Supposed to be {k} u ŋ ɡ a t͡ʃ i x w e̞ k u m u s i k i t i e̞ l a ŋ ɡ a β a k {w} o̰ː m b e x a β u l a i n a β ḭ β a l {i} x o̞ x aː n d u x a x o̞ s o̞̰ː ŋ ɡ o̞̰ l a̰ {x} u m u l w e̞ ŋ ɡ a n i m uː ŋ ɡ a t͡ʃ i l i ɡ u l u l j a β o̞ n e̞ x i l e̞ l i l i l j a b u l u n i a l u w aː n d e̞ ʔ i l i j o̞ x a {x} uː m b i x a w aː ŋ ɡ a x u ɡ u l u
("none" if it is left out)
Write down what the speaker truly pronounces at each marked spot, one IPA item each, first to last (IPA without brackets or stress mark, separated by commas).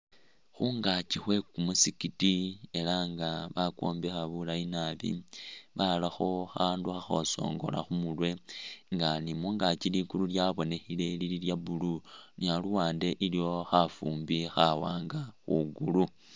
x, w, a, x, f